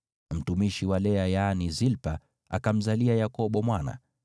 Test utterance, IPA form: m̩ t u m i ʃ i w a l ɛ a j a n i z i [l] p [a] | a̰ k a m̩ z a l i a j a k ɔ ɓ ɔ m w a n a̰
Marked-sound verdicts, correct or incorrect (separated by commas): correct, correct